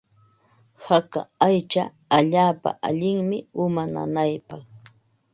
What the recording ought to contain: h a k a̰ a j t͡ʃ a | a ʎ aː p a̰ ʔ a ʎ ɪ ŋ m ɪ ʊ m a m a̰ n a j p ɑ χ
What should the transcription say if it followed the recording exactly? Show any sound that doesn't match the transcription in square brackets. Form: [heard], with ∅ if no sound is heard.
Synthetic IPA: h a k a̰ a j t͡ʃ a | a ʎ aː p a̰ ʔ a ʎ ɪ ŋ m ɪ ʊ m a [n] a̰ n a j p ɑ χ